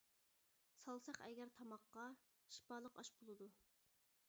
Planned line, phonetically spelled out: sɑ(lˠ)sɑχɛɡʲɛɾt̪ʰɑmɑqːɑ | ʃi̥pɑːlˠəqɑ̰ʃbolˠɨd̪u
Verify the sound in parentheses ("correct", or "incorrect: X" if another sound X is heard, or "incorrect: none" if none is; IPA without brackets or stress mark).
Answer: correct